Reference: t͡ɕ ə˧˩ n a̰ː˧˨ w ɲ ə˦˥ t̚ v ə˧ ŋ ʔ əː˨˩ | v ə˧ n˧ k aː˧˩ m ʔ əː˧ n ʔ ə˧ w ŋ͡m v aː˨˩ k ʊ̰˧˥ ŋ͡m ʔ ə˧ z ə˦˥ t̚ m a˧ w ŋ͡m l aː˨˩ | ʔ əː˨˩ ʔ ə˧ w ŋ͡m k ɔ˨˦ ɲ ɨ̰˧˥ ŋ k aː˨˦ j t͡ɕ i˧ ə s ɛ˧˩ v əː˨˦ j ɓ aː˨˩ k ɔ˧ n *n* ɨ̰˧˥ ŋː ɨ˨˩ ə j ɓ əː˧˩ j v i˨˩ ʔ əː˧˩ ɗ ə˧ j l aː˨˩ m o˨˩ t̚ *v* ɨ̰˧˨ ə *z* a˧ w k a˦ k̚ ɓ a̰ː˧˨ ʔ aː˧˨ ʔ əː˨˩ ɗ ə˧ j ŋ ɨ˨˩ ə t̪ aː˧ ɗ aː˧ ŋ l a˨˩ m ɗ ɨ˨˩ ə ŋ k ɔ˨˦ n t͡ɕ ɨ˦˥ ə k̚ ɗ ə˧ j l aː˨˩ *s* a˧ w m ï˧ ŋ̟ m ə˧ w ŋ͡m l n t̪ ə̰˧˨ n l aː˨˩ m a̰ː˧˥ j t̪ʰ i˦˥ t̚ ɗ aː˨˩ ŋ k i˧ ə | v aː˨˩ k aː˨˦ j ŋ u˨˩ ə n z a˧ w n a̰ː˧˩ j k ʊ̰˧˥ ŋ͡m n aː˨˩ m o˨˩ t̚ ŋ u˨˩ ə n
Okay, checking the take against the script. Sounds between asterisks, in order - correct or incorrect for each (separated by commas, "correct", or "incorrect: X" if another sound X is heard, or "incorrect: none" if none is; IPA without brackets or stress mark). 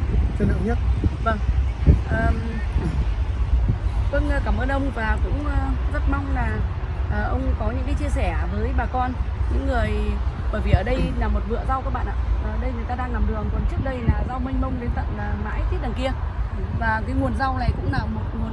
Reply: incorrect: ɲ, correct, correct, incorrect: z